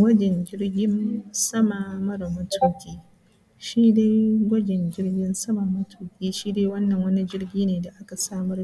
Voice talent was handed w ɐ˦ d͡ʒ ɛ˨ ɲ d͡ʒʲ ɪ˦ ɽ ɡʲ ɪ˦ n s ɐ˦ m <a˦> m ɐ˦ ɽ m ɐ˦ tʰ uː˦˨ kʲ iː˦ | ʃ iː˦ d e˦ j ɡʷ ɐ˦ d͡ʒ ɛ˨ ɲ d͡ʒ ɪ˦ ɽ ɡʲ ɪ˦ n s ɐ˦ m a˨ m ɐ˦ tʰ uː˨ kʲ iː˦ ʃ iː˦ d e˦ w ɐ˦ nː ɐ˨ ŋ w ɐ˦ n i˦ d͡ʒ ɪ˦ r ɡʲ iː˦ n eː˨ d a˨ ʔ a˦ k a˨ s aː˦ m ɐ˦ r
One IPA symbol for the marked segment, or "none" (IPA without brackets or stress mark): a˨